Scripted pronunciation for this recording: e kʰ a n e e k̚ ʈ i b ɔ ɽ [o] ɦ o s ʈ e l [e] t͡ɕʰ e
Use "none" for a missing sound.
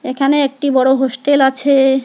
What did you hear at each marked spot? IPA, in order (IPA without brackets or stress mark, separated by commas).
o, a